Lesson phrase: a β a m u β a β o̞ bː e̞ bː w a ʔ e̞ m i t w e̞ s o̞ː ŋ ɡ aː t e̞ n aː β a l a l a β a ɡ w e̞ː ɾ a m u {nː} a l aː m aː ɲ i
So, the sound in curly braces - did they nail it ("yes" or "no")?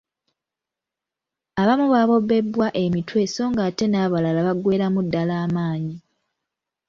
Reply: no